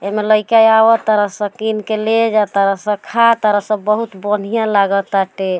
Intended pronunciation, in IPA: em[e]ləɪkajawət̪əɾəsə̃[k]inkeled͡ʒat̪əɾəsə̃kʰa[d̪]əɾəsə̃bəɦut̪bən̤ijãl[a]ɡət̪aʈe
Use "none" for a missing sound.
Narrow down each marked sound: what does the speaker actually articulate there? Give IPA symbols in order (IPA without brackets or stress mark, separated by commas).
e, k, t̪, a